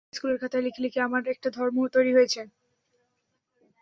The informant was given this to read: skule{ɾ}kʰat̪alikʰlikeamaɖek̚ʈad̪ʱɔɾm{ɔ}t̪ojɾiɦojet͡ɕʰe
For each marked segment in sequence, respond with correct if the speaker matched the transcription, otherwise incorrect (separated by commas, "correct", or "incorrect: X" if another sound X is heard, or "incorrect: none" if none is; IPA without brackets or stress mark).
correct, incorrect: o